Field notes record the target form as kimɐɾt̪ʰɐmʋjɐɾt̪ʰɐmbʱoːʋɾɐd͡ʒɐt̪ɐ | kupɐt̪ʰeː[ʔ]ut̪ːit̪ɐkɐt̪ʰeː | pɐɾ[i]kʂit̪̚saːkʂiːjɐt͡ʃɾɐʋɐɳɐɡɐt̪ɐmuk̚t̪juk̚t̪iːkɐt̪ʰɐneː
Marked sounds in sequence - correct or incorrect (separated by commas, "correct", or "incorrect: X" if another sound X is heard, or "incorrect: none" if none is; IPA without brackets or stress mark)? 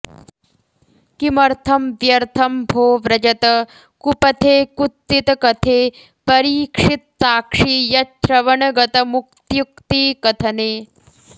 incorrect: k, incorrect: iː